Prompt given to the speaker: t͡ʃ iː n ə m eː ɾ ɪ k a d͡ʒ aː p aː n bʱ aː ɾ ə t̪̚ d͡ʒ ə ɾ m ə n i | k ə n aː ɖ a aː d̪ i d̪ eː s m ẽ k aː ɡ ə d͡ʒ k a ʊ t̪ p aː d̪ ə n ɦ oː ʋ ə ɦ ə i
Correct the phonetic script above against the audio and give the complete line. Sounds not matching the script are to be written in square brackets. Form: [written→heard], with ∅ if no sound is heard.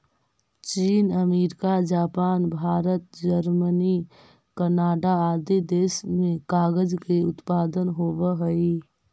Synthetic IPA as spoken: t͡ʃ iː n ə m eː ɾ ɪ k a d͡ʒ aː p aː n bʱ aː ɾ ə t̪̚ d͡ʒ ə ɾ m ə n i | k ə n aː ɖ a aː d̪ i d̪ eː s m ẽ k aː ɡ ə d͡ʒ k [a→e] ʊ t̪ p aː d̪ ə n ɦ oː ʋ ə ɦ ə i